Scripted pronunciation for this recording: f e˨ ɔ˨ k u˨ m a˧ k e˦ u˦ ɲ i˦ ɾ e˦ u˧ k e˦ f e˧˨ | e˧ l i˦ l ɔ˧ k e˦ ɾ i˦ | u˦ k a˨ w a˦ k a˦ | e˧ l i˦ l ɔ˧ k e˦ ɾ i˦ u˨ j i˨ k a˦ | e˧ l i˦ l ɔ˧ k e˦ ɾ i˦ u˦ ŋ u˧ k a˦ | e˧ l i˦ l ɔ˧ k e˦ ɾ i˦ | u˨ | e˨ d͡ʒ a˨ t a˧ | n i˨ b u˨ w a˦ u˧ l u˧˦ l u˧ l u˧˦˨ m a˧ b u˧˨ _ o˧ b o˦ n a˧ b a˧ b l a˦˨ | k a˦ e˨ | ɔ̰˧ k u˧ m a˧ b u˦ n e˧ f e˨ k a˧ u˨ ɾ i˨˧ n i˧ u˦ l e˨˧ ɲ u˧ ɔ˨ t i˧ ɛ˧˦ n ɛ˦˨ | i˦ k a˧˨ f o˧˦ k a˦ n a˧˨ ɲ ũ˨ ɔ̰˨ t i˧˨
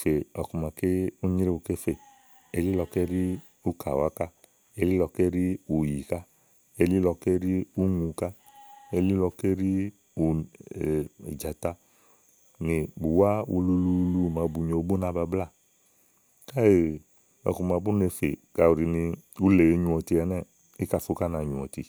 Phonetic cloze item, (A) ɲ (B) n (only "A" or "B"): A